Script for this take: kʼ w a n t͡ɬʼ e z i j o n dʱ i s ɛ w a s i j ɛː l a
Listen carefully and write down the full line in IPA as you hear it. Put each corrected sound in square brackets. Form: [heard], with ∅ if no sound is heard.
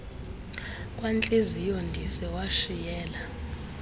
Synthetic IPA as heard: kʼ w a n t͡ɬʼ e z i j o n dʱ i s ɛ w a [ʃ] i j ɛː l a